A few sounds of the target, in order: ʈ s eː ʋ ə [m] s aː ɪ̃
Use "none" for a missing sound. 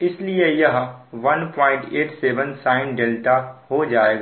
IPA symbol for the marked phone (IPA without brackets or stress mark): n